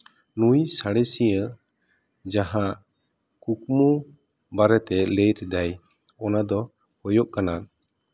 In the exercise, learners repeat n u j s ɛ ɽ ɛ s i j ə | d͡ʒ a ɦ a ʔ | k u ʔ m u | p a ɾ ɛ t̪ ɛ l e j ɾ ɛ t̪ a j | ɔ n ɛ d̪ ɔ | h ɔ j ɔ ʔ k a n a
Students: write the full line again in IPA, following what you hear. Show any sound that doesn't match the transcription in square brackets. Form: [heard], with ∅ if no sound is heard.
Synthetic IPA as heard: n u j s [a] ɽ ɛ s i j ə | d͡ʒ a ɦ a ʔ | k u [k] m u | [b] a ɾ ɛ t̪ ɛ l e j ɾ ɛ [d̪] a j | ɔ n [a] d̪ ɔ | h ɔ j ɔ ʔ k a n a